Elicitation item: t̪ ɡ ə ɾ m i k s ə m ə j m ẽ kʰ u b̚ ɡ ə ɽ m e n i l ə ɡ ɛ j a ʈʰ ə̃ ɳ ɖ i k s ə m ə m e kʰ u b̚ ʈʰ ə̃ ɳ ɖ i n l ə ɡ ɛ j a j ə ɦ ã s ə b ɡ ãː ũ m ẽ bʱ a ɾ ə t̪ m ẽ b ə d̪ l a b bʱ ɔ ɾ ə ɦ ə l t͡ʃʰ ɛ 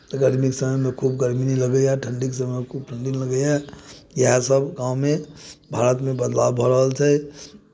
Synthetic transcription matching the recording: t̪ ɡ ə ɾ m i k s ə m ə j m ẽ kʰ u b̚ ɡ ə ɾ m i n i l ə ɡ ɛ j a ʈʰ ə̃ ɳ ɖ i k s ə m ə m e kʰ u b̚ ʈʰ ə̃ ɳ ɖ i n l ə ɡ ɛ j a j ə ɦ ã s ə b ɡ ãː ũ m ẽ bʱ a ɾ ə t̪ m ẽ b ə d̪ l a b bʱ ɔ ɾ ə ɦ ə l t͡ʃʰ ɛ